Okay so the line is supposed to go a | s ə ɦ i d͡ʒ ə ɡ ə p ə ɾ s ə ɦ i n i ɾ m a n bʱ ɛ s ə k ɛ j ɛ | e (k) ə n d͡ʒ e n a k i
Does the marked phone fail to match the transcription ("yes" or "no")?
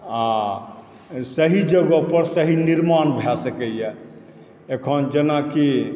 yes